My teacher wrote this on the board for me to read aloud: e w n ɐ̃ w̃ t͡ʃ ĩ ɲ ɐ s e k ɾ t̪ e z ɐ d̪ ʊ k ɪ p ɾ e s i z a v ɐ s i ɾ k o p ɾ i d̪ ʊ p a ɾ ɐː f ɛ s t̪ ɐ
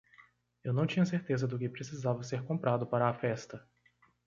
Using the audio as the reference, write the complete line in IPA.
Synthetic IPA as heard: e w n ɐ̃ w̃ t͡ʃ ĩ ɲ ɐ s e ɾ t̪ e z ɐ d̪ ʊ k ɪ p ɾ e s i z a v ɐ s e ɾ k õ p ɾ a d̪ ʊ p a ɾ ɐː f ɛ s t̪ ɐ